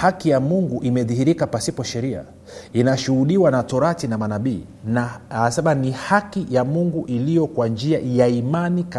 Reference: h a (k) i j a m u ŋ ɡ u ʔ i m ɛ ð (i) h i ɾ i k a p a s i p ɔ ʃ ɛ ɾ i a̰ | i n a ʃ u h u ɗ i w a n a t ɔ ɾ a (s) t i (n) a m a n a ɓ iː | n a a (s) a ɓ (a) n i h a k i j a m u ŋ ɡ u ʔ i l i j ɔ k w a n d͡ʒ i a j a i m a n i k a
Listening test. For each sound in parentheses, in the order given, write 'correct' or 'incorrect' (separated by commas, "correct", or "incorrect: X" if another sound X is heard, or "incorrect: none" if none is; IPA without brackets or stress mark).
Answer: correct, correct, incorrect: none, correct, correct, correct